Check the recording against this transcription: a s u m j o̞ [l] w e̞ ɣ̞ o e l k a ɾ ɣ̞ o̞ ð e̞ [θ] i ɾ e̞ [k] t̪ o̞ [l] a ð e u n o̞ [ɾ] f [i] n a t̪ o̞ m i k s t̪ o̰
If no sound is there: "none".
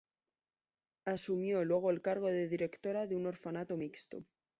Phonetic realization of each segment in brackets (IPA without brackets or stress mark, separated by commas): l, ð, k, ɾ, ɾ, a